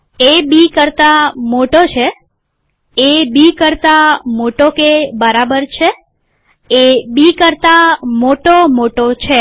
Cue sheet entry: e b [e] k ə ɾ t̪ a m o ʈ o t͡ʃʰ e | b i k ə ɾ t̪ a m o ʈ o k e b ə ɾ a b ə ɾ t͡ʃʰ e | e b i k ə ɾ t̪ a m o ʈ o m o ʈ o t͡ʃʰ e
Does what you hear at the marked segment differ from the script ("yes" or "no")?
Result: yes